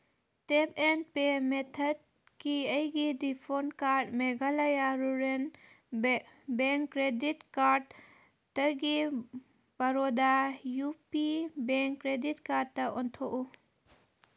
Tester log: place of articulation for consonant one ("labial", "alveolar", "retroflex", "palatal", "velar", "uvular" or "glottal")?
alveolar